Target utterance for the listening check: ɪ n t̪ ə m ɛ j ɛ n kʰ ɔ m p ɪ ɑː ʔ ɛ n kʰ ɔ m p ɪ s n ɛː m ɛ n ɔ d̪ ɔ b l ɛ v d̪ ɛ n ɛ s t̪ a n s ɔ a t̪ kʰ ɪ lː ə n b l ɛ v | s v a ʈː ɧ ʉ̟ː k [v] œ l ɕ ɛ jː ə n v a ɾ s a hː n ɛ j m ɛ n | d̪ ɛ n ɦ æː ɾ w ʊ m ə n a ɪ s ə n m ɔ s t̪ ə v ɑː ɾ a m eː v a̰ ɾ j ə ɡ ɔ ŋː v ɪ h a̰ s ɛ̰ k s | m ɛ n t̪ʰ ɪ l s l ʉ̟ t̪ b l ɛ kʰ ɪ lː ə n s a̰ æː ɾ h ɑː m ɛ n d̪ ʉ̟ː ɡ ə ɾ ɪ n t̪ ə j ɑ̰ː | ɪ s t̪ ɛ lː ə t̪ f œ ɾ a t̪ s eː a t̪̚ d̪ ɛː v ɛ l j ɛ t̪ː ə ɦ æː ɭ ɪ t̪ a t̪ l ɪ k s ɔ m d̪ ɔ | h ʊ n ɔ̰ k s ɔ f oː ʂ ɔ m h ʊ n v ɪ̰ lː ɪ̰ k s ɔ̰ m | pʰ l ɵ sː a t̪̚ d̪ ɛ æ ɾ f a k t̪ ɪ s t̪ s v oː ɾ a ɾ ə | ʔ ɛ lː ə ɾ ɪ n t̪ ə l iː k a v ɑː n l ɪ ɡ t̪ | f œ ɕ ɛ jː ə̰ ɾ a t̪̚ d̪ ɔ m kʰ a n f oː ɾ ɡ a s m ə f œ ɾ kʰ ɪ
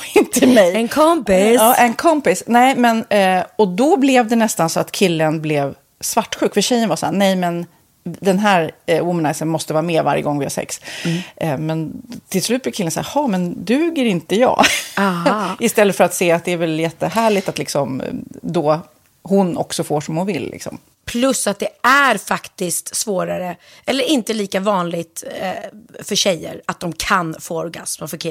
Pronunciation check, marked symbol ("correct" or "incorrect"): incorrect